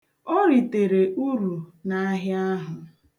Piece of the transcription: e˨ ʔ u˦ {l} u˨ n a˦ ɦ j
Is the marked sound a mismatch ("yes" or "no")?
yes